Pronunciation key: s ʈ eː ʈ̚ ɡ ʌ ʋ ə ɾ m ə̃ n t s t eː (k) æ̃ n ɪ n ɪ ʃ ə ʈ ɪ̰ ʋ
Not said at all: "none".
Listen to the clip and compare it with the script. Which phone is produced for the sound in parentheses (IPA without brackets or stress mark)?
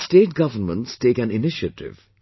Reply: k